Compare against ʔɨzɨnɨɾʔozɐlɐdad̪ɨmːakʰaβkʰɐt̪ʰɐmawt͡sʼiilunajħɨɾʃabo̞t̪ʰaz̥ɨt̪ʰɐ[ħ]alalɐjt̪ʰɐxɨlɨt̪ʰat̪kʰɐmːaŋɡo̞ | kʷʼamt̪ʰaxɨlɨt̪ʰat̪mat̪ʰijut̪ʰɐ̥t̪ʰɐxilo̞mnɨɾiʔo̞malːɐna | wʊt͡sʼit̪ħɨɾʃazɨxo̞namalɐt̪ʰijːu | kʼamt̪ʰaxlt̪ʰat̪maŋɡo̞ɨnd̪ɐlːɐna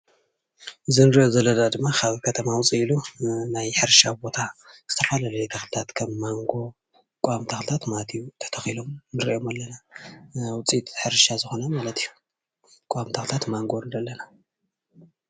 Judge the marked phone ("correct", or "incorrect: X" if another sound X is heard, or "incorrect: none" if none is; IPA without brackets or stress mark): incorrect: f